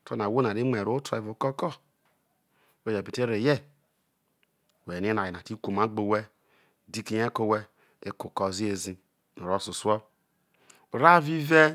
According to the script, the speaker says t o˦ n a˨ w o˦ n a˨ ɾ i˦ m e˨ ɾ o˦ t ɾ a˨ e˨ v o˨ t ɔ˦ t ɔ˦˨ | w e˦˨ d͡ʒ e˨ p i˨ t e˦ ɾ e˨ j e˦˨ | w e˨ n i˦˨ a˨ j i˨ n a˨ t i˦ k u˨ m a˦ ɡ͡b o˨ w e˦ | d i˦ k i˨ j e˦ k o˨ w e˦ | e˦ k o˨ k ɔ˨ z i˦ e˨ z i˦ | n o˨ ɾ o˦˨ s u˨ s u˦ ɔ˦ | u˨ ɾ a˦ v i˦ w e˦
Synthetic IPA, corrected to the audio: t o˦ n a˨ w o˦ n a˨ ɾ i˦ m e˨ ɾ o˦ t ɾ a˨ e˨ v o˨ k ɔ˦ k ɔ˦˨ | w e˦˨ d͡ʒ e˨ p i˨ t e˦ ɾ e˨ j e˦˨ | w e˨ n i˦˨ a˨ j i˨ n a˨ t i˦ k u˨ m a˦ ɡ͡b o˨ w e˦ | d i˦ k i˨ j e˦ k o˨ w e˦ | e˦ k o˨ k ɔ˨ z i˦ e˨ z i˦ | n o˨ ɾ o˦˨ s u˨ s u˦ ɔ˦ | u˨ ɾ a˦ v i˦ v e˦